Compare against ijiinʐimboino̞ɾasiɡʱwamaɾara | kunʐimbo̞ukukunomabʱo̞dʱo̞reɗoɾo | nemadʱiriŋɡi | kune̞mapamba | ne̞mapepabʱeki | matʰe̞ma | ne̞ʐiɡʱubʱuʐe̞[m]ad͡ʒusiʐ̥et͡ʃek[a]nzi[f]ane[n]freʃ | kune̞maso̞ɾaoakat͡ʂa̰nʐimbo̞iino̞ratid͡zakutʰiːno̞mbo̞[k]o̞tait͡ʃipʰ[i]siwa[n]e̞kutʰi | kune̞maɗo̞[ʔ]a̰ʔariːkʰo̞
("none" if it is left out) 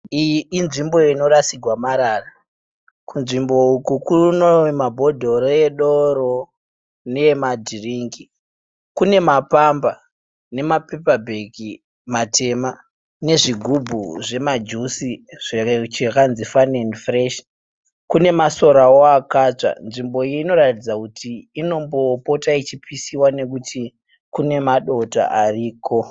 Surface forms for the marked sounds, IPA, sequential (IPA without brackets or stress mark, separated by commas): m, a, f, n, p, i, n, t